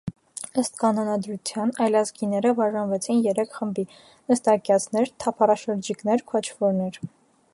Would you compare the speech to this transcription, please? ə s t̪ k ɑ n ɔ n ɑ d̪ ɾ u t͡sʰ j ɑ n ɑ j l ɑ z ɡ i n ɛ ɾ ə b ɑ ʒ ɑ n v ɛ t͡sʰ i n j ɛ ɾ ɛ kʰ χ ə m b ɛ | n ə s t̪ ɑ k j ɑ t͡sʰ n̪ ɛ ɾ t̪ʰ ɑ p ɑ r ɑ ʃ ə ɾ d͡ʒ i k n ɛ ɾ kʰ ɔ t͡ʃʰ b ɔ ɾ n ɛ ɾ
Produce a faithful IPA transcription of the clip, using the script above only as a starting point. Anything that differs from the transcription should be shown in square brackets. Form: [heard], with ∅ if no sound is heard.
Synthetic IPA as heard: ə s t̪ k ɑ n ɔ n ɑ d̪ ɾ u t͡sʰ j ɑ n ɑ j l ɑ z ɡ i n ɛ ɾ ə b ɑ ʒ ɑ n v ɛ t͡sʰ i n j ɛ ɾ ɛ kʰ χ ə m b [i] | n ə s t̪ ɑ k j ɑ t͡sʰ n̪ ɛ ɾ t̪ʰ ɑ [pʰ] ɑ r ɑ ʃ ə ɾ d͡ʒ i k n ɛ ɾ kʰ ɔ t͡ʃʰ [v] ɔ ɾ n ɛ ɾ